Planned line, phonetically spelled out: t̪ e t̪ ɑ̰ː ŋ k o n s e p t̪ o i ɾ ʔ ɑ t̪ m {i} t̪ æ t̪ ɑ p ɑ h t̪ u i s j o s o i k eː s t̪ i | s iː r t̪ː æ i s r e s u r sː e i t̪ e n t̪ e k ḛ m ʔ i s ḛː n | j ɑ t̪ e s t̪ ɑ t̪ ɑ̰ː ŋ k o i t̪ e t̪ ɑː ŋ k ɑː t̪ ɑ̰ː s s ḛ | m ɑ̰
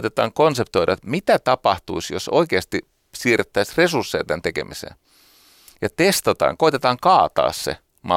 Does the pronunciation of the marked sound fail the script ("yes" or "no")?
no